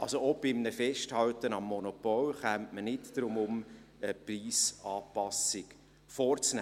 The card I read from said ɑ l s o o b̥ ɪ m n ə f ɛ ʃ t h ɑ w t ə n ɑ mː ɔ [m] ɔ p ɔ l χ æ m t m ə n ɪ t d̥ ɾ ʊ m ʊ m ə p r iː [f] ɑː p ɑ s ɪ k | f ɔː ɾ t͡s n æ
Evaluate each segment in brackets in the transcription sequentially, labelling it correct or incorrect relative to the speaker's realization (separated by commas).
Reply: incorrect, incorrect